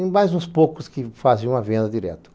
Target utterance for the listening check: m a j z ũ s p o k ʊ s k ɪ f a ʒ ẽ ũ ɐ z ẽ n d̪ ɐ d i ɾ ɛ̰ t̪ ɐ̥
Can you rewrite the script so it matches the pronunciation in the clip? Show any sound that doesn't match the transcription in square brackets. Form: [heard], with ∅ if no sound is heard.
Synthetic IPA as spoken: m a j z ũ s p o k ʊ s k ɪ f a [z] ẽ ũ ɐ [v] ẽ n d̪ ɐ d i ɾ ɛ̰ t̪ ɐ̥